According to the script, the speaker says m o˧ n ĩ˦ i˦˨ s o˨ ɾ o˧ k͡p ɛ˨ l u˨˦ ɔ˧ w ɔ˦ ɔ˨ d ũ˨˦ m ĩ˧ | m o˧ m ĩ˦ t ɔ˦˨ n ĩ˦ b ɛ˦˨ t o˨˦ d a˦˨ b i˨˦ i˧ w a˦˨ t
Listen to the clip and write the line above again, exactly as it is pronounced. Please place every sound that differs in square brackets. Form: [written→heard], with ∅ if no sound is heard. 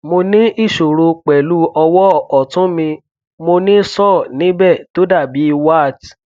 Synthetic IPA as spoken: m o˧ n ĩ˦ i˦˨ [s→ʃ] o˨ ɾ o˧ k͡p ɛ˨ l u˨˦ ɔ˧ w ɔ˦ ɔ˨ [d→t] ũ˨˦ m ĩ˧ | m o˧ [m→n] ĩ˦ [t→s] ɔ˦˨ n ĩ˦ b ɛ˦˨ t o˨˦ d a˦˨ b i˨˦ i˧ w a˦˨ t

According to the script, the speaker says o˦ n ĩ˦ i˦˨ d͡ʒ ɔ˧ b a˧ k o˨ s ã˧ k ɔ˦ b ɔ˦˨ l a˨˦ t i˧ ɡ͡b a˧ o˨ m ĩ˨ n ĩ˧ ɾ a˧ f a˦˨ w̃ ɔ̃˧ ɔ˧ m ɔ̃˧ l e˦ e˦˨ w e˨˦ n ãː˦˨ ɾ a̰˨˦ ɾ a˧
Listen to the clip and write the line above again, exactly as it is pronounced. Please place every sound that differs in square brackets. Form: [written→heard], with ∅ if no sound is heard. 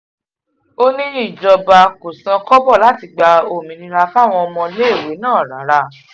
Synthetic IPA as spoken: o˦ n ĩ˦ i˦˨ d͡ʒ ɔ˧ b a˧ k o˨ s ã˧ k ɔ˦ b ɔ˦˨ l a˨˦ t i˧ ɡ͡b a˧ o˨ m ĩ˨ n ĩ˧ ɾ a˧ f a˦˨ w̃ ɔ̃˧ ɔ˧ m ɔ̃˧ l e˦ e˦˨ w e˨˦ n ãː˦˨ ɾ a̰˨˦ ɾ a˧

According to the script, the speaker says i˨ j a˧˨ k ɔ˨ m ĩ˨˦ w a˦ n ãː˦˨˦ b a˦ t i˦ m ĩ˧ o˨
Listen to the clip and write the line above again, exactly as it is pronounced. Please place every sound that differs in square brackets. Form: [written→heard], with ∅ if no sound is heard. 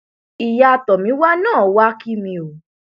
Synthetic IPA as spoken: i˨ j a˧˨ [k→t] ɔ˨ m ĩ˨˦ w a˦ n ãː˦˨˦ [b→w] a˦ [t→k] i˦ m ĩ˧ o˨

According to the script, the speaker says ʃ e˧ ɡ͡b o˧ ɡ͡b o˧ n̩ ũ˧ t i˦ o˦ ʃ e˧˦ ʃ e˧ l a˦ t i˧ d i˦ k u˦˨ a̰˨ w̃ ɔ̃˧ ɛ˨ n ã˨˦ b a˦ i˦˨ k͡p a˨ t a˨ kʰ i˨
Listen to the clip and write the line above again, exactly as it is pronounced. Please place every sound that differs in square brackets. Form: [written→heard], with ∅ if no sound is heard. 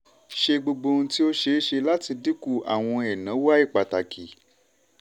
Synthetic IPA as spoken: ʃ e˧ ɡ͡b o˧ ɡ͡b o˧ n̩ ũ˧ t i˦ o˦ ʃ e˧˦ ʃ e˧ l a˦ t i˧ d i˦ k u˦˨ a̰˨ w̃ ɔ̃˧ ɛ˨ n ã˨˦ [b→w] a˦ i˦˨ k͡p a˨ t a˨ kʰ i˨

